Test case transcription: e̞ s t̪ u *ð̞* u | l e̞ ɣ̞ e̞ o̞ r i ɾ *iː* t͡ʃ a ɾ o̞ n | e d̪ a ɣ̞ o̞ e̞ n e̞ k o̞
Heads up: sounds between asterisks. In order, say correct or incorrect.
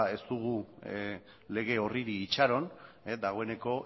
incorrect: ɣ̞, correct

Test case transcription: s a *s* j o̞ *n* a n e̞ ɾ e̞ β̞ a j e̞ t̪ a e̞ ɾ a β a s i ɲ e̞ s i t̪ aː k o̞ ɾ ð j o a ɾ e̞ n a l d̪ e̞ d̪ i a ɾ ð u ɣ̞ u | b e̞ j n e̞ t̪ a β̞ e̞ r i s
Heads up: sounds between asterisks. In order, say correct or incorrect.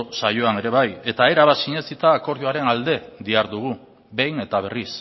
incorrect: none, incorrect: none

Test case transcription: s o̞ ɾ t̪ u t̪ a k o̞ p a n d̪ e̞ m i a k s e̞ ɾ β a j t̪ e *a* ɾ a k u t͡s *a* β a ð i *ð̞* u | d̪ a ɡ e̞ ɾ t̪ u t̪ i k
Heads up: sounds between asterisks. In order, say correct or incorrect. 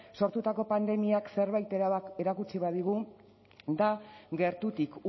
incorrect: e, incorrect: i, incorrect: ɣ̞

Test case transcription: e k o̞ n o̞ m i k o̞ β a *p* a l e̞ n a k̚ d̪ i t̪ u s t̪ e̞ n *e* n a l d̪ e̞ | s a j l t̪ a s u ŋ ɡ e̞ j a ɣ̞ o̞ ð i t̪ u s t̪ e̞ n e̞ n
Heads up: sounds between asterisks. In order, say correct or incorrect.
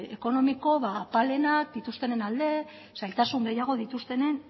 correct, correct

